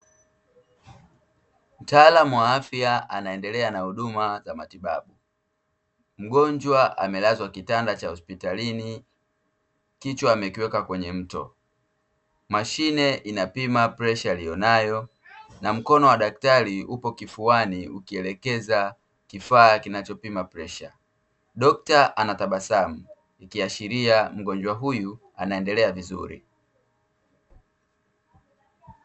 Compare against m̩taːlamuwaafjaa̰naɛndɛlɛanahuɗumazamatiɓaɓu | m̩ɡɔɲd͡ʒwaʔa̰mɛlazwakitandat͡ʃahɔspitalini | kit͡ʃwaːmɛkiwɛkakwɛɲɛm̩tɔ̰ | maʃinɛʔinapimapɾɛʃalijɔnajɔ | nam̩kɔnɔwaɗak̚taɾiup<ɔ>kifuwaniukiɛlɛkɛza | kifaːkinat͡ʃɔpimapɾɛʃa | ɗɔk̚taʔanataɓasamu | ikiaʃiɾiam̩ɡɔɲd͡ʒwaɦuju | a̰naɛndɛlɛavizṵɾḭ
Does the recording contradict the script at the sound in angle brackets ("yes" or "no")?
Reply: no